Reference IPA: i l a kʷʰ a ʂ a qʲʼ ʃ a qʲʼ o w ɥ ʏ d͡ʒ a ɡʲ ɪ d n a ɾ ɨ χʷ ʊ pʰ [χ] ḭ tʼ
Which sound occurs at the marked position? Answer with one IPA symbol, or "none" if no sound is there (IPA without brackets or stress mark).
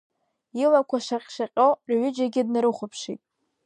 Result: ʂ